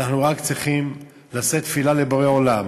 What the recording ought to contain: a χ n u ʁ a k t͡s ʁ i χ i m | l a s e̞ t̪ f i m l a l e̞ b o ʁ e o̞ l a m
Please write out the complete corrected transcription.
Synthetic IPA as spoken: a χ n u ʁ a k t͡s ʁ i χ i m | l a s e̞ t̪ f i l a l e̞ b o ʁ e o̞ l a m